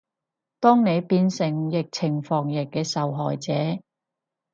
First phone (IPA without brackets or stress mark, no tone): t̪